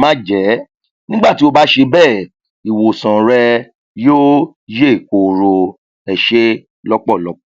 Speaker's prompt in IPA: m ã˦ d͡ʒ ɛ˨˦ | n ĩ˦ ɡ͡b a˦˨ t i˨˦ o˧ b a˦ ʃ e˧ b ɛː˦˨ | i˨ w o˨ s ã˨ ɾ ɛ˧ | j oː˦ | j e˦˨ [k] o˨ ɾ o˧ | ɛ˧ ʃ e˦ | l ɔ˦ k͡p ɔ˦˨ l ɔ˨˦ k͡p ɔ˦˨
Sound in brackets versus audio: correct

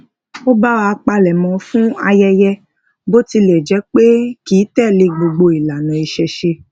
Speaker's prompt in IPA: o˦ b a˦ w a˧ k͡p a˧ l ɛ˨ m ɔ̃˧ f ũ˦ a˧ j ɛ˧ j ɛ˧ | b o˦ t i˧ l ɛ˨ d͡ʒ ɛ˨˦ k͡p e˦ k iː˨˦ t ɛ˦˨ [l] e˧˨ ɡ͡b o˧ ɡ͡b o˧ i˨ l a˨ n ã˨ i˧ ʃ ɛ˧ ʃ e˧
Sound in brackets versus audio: correct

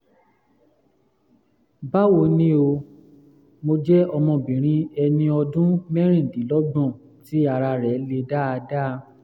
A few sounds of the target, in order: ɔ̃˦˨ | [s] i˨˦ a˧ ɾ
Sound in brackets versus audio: incorrect: t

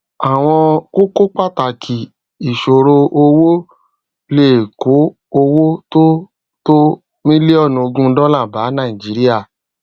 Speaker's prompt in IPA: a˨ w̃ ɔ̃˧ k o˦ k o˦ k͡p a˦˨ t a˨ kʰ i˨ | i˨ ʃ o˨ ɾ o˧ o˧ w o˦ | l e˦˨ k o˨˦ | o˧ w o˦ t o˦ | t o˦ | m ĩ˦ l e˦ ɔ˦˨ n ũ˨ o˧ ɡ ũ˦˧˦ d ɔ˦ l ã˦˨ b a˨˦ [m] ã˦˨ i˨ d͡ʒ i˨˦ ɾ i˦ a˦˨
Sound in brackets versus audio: incorrect: n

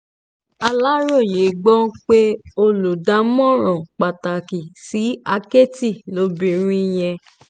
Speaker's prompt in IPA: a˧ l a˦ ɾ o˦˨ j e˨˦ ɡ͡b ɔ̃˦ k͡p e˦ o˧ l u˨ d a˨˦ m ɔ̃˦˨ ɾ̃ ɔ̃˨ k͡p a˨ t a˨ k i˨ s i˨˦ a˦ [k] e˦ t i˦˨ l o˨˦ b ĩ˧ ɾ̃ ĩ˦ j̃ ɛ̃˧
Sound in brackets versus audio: correct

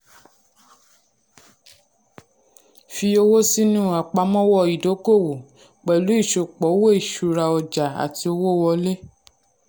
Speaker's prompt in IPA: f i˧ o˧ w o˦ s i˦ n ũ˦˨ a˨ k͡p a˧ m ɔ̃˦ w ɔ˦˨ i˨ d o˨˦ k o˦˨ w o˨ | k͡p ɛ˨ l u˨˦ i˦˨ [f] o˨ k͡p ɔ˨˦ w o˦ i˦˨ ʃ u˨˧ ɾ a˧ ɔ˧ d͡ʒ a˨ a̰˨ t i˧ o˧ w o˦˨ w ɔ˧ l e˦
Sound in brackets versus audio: incorrect: ʃ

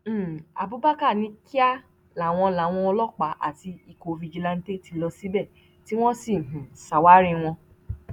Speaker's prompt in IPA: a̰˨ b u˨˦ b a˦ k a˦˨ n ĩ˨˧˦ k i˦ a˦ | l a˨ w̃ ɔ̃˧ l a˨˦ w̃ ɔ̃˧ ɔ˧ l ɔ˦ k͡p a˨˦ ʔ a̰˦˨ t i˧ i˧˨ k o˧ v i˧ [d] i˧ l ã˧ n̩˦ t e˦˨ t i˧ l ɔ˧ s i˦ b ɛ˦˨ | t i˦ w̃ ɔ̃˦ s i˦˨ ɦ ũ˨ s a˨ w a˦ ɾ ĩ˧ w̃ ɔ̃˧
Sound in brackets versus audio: incorrect: d͡ʒ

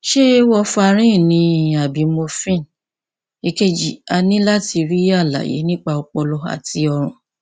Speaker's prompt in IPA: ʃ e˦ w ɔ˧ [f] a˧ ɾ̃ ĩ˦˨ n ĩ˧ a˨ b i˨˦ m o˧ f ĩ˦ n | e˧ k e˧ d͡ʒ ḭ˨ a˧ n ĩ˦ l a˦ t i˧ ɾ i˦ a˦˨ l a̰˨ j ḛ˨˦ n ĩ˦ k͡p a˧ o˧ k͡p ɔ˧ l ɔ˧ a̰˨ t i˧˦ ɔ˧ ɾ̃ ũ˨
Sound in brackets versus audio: correct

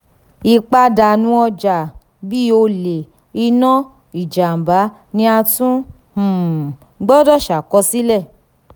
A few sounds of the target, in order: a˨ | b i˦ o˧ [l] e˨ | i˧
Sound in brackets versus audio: correct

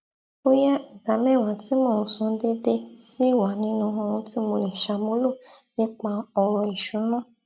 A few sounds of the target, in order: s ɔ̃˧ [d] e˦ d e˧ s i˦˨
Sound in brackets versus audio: correct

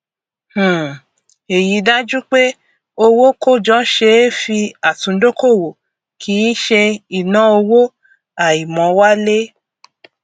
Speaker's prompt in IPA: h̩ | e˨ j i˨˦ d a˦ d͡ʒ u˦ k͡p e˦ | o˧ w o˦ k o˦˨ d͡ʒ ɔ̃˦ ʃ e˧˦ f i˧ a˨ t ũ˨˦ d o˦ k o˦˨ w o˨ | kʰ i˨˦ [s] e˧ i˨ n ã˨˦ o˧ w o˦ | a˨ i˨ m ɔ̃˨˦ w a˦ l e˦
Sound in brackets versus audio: incorrect: ʃ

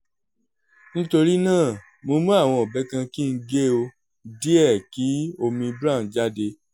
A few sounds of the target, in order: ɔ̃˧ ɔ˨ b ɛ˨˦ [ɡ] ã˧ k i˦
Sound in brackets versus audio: incorrect: k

